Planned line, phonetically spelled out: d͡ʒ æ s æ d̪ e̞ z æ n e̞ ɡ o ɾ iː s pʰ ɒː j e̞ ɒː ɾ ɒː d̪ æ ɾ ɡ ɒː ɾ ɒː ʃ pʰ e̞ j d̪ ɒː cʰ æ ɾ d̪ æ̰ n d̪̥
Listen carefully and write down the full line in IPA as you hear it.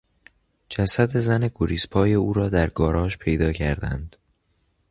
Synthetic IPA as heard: d͡ʒ æ s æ d̪ e̞ z æ n e̞ ɡ o ɾ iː s pʰ ɒː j e̞ uː ɾ ɒː d̪ æ ɾ ɡ ɒː ɾ ɒː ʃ pʰ e̞ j d̪ ɒː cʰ æ ɾ d̪ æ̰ n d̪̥